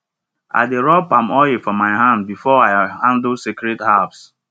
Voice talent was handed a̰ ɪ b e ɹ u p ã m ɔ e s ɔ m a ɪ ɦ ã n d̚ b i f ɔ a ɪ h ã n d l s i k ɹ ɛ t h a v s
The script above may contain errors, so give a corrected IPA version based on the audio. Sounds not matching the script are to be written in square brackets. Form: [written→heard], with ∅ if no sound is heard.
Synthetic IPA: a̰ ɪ [b→d] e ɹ [u→ɔ] p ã m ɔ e [s→f] ɔ m a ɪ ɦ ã n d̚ b i f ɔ a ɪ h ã n d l s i k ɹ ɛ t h a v s